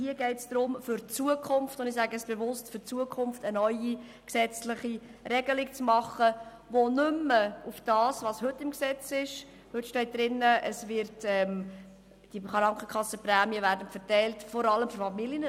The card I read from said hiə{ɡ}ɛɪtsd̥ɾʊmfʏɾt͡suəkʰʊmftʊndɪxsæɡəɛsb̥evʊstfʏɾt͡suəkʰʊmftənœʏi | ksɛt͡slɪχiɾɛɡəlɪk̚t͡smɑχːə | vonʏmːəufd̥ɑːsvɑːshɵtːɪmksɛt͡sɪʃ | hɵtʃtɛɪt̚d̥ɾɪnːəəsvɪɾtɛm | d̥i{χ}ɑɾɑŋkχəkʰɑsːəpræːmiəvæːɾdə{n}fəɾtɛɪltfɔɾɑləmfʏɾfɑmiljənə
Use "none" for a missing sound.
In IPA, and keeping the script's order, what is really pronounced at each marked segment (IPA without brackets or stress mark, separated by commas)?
ɡ, χ, n